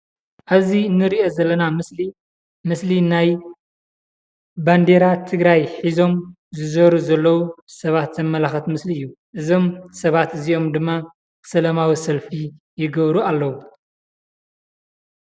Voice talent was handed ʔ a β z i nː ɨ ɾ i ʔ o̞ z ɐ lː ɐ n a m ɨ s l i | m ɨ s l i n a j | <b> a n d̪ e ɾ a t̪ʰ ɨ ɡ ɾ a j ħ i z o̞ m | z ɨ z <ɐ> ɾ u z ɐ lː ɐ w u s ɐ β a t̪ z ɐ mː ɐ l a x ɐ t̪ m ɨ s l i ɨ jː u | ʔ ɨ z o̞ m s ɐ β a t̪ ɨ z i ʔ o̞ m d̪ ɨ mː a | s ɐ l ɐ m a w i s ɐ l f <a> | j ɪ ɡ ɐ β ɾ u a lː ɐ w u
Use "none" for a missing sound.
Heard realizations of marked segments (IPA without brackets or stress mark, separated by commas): b, ɐ, i